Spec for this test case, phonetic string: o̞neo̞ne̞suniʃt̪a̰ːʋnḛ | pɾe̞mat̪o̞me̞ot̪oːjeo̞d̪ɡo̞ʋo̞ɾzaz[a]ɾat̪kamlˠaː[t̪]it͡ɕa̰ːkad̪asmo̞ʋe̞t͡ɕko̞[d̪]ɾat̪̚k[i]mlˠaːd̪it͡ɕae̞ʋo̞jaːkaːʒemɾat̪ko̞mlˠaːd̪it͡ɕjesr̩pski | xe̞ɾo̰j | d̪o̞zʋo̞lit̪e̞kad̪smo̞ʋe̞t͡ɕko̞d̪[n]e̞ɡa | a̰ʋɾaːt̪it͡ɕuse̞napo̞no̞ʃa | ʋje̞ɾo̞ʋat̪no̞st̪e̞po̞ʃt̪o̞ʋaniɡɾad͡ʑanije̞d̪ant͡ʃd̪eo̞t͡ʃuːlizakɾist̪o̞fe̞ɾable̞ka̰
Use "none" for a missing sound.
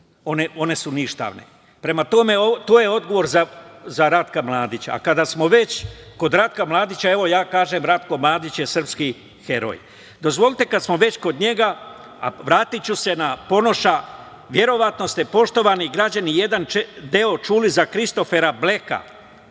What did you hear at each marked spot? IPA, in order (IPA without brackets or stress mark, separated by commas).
a, d̪, d̪, a, ɲ